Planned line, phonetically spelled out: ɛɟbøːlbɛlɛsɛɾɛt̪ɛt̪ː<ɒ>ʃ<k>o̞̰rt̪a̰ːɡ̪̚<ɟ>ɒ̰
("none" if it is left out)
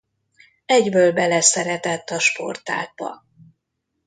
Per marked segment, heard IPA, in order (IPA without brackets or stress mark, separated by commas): ɒ, p, b